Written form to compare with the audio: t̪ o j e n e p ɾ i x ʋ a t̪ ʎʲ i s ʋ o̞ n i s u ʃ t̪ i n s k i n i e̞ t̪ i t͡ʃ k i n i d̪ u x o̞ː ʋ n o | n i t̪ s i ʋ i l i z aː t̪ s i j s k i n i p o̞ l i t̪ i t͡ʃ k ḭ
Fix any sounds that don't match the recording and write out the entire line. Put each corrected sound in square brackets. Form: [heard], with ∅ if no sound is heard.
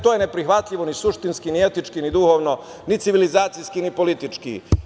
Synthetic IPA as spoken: t̪ o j e n e p ɾ i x ʋ a t̪ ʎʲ i [∅] ʋ o̞ n i s u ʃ t̪ i n s k i n i e̞ t̪ i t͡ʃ k i n i d̪ u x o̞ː ʋ n o | n i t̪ s i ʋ i l i z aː t̪ s i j s k i n i p o̞ l i t̪ i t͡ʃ k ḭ